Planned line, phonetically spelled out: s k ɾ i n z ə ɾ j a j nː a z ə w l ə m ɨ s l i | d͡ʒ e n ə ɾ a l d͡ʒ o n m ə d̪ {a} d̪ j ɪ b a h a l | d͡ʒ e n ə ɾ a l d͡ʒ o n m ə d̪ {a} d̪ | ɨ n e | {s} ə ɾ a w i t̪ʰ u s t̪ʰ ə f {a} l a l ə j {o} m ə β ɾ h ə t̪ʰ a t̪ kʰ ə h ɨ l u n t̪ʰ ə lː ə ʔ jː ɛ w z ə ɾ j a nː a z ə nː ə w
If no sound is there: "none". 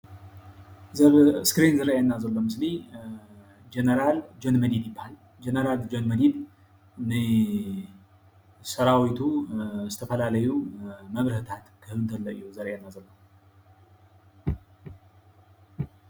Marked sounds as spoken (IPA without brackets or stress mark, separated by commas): i, i, s, ə, u